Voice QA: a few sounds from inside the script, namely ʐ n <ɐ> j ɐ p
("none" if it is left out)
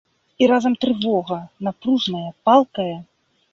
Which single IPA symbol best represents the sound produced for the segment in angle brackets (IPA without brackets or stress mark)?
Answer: ɐ